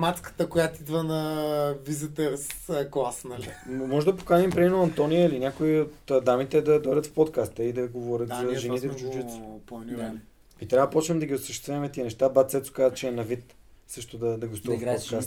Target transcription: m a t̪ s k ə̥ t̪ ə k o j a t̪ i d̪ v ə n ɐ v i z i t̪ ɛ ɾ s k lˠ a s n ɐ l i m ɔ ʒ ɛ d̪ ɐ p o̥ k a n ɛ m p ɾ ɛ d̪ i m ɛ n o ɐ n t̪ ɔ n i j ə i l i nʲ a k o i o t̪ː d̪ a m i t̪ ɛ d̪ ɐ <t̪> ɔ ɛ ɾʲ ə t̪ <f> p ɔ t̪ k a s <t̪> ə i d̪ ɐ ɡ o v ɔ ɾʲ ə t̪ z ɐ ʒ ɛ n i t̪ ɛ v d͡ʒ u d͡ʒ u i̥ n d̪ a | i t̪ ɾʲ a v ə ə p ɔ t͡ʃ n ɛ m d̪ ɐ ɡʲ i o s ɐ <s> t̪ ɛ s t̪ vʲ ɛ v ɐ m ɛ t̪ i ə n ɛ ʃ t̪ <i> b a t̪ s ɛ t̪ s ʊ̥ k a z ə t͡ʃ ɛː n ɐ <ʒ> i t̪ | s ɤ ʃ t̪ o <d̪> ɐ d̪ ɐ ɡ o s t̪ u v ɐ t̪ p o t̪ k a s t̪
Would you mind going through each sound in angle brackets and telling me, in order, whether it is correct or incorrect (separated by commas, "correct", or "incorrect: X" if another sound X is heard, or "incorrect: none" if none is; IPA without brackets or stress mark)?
incorrect: d̪, correct, correct, incorrect: ʃ, incorrect: a, incorrect: v, correct